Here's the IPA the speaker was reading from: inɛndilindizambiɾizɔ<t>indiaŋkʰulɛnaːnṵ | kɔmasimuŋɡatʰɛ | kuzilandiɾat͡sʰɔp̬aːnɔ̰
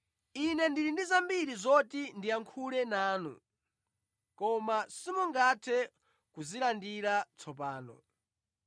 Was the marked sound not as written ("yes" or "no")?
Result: no